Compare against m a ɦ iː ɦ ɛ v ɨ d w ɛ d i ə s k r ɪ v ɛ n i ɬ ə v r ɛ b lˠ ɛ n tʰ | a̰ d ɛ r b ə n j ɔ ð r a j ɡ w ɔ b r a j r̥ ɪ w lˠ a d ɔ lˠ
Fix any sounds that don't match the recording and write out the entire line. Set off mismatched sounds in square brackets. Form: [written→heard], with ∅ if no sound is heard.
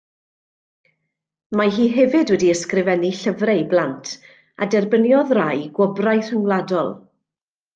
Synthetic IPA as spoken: m a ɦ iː ɦ ɛ v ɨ d w ɛ d i ə s k r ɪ v ɛ n i ɬ ə v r ɛ b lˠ [ɛ→a] n tʰ | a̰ d ɛ r b ə n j ɔ ð r a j ɡ w ɔ b r a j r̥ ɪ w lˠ a d ɔ lˠ